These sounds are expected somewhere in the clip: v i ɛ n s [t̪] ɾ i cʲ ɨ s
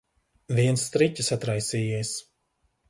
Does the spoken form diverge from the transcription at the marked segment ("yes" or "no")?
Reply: no